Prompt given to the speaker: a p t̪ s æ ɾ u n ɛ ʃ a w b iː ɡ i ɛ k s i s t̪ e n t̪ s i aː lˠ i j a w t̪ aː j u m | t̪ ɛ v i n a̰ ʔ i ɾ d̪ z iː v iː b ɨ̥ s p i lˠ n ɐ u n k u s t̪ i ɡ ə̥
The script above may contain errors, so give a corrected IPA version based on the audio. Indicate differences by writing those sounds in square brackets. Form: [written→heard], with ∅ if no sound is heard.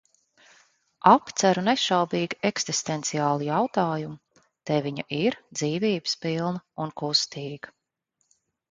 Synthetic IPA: a p t̪ s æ ɾ u n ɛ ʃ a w b iː ɡ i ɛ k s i s t̪ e n t̪ s i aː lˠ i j a w t̪ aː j u m | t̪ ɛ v i [n→ɲ] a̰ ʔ i ɾ d̪ z iː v iː b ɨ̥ s p i lˠ n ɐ u n k u s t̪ [i→iː] ɡ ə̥